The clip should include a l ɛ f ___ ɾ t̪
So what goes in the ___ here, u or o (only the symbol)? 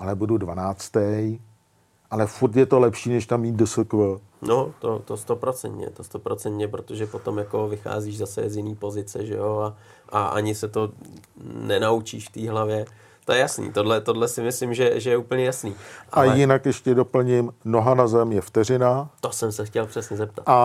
u